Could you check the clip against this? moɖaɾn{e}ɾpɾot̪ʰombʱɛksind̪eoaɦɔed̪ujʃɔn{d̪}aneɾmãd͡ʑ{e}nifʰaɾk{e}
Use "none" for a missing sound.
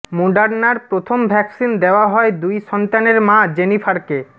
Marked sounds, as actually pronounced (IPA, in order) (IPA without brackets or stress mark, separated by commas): a, t̪, e, e